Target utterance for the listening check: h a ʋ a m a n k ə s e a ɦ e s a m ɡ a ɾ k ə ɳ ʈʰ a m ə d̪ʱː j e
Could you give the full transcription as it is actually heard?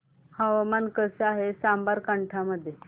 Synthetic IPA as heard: h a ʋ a m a n k ə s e a ɦ e s a m b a ɾ k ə ɳ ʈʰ a m ə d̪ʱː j e